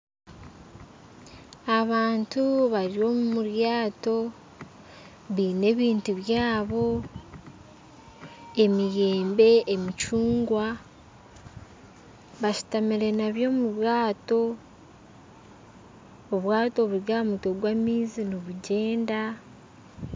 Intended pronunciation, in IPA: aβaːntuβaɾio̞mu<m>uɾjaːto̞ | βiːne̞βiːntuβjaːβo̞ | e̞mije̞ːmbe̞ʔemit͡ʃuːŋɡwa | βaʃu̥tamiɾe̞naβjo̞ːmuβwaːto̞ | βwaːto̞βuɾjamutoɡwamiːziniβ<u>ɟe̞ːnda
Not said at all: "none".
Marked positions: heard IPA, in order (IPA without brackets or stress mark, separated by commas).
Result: m, u